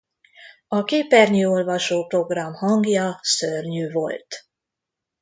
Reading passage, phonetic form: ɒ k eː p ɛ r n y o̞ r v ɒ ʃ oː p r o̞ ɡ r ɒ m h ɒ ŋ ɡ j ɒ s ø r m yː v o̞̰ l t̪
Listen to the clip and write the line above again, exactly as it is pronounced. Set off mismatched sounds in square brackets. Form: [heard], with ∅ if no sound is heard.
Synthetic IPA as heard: ɒ k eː p ɛ r [ɲ] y o̞ [l] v ɒ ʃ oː p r o̞ ɡ r ɒ m h ɒ ŋ ɡ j ɒ s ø r [ɲ] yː v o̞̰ l t̪